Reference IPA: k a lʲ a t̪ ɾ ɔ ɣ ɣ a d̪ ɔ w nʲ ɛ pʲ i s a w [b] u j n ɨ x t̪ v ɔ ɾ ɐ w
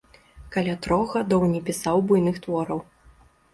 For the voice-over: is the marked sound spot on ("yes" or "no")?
yes